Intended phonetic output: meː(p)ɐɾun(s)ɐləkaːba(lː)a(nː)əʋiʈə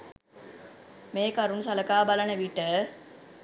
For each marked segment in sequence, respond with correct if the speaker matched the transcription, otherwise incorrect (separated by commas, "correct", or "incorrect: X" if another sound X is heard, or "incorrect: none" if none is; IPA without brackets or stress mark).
incorrect: k, correct, incorrect: l, incorrect: n